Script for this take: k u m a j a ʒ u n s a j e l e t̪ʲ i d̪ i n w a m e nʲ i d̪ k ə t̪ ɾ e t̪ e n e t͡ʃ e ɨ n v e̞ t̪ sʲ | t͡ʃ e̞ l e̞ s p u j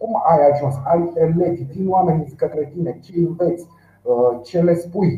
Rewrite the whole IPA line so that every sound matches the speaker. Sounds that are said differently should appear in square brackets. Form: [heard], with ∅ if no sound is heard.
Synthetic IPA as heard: k u m a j a ʒ u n s a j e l e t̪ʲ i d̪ i n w a m e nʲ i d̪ k ə t̪ ɾ e t̪ [i] n e t͡ʃ e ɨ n v e̞ t̪ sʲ | t͡ʃ e̞ l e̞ s p u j